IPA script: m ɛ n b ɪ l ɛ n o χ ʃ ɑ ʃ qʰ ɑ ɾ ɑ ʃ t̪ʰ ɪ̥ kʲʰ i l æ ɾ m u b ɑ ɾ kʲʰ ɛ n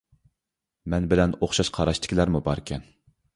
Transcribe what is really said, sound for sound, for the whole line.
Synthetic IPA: m ɛ n b ɪ l ɛ n o χ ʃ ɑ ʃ qʰ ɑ ɾ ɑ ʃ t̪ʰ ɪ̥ kʲ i l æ ɾ m u b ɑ ɾ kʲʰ ɛ n